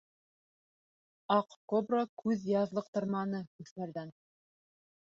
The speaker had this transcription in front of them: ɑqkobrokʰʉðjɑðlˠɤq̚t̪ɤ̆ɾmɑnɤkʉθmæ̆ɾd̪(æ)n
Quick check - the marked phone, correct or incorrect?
correct